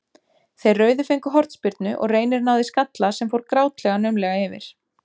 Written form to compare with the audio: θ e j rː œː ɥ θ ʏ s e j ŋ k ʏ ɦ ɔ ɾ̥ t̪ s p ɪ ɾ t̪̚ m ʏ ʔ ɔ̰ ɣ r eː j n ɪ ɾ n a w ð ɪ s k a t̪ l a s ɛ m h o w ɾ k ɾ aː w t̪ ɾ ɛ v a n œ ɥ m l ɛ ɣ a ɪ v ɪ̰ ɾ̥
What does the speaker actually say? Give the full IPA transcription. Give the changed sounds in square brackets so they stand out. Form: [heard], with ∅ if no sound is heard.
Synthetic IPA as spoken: θ e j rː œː ɥ [ð] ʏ [f] e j ŋ k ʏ ɦ ɔ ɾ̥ t̪ s p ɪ ɾ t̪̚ [n] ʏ ʔ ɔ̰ ɣ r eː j n ɪ ɾ n a w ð ɪ s k a t̪ l a s ɛ m [f] o w ɾ k ɾ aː w t̪ [l] ɛ [ɣ] a n œ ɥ m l ɛ ɣ a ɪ v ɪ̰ ɾ̥